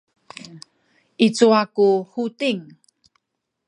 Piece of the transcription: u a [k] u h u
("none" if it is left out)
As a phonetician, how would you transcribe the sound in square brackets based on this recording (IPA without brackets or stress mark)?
k